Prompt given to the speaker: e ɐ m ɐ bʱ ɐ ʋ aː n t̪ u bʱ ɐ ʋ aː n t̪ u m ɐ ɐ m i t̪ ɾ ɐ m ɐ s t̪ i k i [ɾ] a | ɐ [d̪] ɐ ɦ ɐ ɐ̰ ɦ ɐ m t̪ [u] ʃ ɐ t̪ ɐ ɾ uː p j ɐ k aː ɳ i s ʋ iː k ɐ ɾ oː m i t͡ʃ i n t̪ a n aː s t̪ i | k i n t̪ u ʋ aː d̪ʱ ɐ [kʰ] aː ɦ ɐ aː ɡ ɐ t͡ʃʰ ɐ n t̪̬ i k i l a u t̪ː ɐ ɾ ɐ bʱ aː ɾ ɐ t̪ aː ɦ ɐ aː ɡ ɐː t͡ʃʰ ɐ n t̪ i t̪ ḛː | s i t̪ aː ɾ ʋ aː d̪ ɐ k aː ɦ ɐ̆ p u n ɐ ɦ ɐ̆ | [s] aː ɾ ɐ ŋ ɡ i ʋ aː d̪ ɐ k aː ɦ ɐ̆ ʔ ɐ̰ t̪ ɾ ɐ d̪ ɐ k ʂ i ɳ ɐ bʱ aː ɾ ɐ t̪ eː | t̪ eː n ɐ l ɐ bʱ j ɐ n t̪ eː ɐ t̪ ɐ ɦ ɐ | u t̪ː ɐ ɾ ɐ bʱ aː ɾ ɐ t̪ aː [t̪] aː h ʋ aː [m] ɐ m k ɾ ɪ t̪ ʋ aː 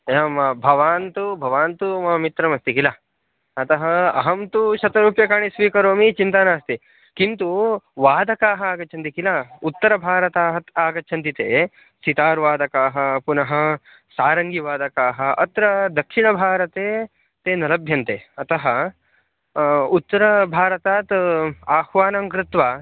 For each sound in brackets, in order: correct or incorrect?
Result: incorrect: l, incorrect: t̪, correct, incorrect: k, correct, correct, incorrect: n

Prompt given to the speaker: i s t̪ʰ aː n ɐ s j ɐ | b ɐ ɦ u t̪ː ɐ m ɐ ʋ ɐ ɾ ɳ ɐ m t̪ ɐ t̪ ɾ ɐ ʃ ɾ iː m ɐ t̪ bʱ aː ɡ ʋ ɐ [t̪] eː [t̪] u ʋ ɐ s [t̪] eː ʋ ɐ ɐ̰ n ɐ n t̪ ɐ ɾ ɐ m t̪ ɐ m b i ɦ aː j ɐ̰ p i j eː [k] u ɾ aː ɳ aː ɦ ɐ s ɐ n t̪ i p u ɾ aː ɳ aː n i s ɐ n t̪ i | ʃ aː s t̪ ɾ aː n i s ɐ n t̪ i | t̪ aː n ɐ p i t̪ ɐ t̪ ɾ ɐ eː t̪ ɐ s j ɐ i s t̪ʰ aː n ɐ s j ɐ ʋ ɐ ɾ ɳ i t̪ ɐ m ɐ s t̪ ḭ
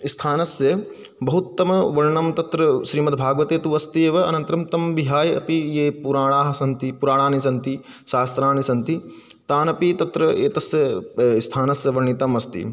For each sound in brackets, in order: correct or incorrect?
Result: correct, correct, correct, incorrect: p

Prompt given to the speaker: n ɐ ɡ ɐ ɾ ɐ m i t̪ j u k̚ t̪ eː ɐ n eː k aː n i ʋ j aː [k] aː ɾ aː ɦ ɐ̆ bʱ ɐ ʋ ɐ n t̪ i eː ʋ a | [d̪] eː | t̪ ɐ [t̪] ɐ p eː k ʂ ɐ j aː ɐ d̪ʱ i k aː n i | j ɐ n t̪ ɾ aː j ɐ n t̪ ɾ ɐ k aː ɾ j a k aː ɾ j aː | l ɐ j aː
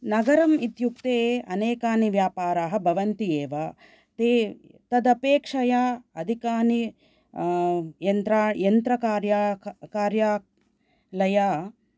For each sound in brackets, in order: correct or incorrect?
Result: incorrect: p, incorrect: t̪, incorrect: d̪

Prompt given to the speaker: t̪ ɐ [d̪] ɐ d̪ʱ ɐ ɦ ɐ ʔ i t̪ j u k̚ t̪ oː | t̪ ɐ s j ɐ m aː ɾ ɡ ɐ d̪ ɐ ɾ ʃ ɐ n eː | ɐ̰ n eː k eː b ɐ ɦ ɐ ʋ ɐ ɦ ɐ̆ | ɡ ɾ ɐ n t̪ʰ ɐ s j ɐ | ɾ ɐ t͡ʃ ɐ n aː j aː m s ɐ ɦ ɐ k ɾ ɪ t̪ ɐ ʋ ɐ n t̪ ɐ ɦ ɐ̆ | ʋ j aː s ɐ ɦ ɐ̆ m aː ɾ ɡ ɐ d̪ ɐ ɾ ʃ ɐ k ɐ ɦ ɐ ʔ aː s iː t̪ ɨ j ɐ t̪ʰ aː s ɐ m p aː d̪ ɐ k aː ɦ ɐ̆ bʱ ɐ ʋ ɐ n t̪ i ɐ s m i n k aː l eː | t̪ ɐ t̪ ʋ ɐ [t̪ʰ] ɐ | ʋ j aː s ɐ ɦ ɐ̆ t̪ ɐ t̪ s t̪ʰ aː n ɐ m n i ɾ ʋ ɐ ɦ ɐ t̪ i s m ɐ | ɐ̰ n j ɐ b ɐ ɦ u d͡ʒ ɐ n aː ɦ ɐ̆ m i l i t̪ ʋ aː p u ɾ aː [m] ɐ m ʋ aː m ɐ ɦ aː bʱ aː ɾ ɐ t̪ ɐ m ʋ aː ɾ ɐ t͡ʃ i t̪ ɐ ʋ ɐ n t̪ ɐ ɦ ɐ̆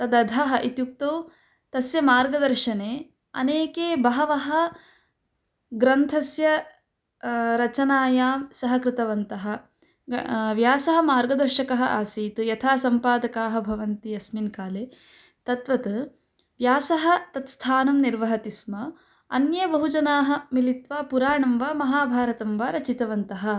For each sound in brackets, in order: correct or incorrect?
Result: correct, incorrect: t̪, incorrect: ɳ

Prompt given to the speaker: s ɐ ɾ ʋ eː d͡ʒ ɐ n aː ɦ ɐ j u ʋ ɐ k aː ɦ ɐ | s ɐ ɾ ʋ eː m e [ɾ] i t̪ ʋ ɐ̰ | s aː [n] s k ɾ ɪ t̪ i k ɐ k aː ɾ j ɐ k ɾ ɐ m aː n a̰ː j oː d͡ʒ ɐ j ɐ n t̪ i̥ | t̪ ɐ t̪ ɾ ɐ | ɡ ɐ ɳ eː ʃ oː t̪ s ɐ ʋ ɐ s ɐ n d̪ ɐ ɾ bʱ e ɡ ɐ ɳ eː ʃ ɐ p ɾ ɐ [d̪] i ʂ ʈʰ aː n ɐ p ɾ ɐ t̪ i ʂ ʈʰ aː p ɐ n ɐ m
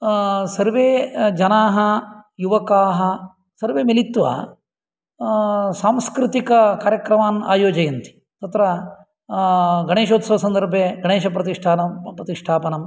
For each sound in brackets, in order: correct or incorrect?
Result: incorrect: l, incorrect: m, incorrect: t̪

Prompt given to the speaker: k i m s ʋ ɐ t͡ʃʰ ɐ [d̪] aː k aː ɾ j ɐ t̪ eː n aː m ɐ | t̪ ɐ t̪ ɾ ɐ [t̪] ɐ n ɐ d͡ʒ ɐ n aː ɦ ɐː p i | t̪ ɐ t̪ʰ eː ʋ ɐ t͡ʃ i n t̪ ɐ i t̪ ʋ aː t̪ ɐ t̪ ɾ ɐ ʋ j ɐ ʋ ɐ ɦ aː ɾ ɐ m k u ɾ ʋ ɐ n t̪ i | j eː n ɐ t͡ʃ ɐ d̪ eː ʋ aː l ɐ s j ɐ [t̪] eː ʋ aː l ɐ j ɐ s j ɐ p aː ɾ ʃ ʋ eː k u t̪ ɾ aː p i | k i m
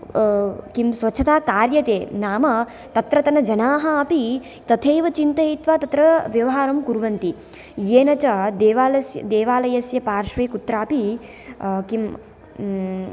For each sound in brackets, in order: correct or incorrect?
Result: incorrect: t̪, correct, incorrect: d̪

